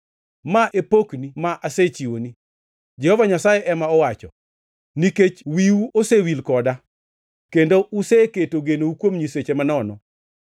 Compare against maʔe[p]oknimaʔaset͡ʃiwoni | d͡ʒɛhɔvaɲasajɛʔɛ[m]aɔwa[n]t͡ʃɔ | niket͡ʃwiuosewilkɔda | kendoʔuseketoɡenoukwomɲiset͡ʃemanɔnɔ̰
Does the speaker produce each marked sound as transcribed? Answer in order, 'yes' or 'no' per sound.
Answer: yes, yes, no

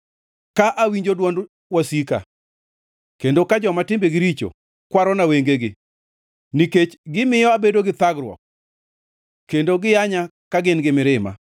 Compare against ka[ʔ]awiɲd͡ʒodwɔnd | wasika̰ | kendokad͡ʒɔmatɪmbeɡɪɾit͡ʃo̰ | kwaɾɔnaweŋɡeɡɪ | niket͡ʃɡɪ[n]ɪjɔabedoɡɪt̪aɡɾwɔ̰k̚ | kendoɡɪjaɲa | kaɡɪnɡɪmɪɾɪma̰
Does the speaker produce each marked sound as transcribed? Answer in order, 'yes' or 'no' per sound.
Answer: yes, no

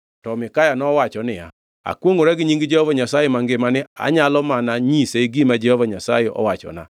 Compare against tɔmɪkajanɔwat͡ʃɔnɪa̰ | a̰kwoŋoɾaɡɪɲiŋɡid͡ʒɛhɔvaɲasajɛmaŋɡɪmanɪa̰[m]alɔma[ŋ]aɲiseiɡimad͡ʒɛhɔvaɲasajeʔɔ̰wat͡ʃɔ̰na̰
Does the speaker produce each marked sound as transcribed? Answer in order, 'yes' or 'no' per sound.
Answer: no, no

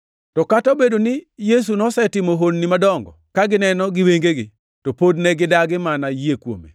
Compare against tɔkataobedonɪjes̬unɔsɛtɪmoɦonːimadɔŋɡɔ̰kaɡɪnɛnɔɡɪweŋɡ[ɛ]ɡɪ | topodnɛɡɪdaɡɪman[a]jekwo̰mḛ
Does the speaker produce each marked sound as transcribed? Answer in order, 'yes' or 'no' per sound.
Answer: no, yes

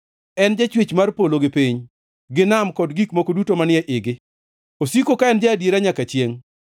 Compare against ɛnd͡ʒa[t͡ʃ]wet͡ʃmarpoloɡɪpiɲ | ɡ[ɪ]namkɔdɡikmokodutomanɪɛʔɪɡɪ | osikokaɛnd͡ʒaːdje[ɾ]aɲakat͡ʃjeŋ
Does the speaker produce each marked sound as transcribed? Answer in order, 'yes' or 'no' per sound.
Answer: yes, yes, yes

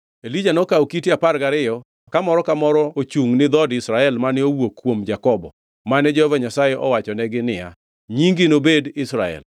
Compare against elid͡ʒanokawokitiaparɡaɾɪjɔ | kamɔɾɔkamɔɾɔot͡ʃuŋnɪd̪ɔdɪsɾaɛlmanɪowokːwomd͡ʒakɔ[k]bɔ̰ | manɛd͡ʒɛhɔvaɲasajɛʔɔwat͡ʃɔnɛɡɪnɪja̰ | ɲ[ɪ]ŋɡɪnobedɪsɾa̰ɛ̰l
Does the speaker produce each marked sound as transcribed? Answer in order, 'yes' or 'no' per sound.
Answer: no, no

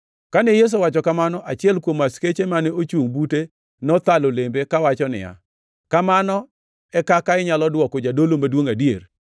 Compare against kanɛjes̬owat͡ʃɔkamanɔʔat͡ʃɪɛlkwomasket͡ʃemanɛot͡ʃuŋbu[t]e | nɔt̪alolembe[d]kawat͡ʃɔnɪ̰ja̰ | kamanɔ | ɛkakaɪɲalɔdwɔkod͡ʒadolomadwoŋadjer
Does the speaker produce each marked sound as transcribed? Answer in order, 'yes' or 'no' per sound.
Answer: yes, no

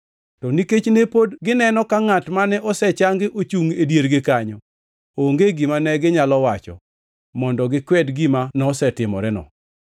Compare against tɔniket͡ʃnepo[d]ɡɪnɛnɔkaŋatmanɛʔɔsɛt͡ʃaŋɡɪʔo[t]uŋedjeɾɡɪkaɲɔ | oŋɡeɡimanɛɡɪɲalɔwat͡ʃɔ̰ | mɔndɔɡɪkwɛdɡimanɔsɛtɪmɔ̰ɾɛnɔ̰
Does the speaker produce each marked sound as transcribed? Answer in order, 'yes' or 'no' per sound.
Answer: yes, no

